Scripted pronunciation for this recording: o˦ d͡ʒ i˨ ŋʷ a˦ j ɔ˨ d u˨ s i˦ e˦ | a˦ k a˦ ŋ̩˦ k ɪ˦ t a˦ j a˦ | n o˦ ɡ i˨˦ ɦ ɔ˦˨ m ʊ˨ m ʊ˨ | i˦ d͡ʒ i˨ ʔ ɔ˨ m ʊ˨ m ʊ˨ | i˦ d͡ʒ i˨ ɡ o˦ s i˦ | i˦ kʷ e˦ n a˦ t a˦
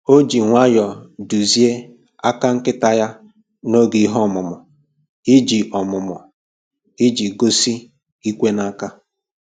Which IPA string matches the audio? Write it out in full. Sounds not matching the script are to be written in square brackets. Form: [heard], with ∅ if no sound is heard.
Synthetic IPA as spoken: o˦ d͡ʒ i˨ ŋʷ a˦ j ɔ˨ d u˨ [z] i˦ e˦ | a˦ k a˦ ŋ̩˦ k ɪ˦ t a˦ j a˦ | n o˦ ɡ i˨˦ ɦ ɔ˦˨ m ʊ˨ m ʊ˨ | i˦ d͡ʒ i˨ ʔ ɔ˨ m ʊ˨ m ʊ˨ | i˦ d͡ʒ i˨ ɡ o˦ s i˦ | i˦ kʷ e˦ n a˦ [k] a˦